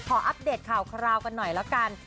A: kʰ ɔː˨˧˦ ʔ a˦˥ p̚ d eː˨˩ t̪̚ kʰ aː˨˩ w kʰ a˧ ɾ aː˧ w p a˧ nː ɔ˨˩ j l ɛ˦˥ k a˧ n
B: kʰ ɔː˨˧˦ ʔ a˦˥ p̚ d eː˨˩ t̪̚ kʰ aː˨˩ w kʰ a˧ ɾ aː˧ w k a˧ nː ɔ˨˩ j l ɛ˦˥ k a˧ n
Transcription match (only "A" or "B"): B